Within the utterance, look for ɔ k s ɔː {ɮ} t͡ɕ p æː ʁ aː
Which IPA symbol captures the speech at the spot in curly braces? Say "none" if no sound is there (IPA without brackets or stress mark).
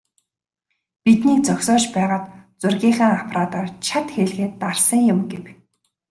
none